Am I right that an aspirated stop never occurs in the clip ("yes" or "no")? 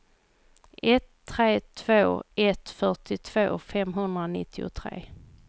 no